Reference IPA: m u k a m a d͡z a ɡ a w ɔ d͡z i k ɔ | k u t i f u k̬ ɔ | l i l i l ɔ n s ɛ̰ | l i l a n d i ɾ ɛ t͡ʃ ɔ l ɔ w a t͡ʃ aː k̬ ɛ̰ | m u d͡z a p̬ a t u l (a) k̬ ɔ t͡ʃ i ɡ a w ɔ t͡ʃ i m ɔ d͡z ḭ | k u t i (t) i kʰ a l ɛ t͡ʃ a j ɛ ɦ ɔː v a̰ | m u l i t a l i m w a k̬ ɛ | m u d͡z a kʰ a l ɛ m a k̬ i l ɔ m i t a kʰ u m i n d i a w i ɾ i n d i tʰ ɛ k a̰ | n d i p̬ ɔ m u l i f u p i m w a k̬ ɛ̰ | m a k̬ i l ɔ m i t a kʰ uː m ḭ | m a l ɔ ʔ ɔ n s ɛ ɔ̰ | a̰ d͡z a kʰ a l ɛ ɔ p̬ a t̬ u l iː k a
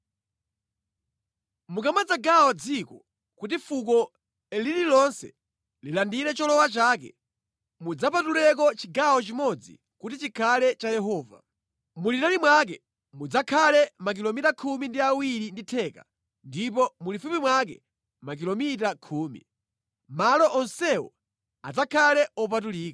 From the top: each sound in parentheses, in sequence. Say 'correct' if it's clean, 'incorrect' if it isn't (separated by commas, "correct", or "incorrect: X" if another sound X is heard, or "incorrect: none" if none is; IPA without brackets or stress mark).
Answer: incorrect: ɛ, incorrect: t͡ʃ